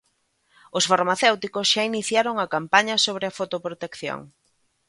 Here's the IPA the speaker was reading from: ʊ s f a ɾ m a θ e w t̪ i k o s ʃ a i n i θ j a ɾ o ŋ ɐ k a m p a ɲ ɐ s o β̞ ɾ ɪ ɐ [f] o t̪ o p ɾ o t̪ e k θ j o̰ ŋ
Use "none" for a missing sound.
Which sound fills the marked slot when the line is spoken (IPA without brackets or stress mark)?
f